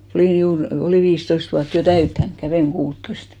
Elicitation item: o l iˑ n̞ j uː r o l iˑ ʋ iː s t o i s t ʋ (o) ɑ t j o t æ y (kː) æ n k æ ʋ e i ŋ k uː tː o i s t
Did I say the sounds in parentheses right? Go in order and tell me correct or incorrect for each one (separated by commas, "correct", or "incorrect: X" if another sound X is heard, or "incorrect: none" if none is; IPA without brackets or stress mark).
incorrect: u, incorrect: tː